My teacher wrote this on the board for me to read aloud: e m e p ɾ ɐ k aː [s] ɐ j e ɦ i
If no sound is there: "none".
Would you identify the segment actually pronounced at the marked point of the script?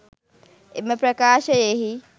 ʃ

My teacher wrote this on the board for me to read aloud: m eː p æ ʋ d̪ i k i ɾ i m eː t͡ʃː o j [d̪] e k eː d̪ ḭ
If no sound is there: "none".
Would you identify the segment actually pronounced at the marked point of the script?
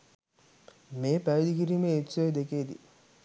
d̪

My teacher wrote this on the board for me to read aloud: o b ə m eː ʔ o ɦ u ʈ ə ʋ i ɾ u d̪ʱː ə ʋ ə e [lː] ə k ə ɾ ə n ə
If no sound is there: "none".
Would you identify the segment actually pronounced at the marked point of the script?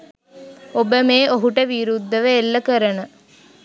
lː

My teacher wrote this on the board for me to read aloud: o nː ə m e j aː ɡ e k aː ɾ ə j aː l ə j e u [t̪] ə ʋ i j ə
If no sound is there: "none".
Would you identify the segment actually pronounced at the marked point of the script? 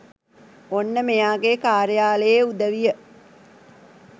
d̪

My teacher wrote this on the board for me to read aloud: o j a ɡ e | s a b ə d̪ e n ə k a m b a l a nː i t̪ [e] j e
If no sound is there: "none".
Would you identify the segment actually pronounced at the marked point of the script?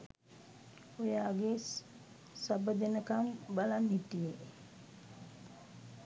i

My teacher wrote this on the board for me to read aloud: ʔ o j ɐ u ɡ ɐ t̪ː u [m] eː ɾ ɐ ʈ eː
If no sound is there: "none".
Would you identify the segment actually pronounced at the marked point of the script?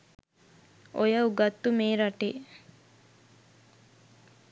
m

